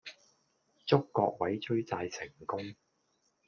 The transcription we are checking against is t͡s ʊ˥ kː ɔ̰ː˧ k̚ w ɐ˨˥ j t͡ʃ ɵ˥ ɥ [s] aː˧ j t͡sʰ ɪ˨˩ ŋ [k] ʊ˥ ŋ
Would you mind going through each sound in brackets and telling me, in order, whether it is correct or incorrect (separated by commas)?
incorrect, correct